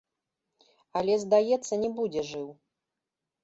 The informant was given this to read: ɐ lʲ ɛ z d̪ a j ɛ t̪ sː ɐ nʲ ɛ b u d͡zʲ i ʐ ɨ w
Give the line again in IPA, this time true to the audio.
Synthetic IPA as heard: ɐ lʲ ɛ z d̪ a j ɛ t̪ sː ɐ nʲ ɛ b u d͡zʲ ɛ ʐ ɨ w